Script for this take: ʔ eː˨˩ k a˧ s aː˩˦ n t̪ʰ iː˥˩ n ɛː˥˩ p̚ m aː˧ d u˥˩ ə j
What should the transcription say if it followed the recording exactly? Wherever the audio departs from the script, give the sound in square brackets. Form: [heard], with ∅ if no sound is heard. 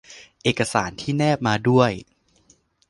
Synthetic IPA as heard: ʔ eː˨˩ k a˧ s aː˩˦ n t̪ʰ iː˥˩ n ɛː˥˩ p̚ m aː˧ d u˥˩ ə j